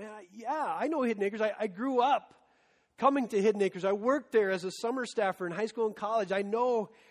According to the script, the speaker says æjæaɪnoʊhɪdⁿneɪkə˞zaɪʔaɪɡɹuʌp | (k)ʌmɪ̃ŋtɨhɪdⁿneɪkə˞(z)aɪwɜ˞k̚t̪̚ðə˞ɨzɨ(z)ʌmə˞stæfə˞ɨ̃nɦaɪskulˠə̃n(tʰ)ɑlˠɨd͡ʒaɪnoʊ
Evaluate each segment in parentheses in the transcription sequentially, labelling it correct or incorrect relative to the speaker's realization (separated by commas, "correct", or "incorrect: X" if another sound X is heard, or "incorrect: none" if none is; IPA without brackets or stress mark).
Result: incorrect: kʰ, correct, incorrect: s, incorrect: kʰ